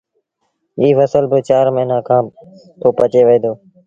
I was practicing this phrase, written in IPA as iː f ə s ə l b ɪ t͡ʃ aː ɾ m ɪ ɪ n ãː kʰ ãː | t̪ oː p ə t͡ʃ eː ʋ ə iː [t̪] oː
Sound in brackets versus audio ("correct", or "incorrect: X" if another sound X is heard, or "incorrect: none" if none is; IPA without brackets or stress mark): incorrect: d̪